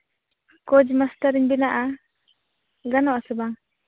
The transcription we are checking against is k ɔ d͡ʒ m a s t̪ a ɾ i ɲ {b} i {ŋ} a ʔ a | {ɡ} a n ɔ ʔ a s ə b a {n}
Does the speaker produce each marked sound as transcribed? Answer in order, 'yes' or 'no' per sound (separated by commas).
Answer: yes, no, yes, no